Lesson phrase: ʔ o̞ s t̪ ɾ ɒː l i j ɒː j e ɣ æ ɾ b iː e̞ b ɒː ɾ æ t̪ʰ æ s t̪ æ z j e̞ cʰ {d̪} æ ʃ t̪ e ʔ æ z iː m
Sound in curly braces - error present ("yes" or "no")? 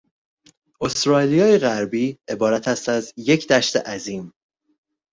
no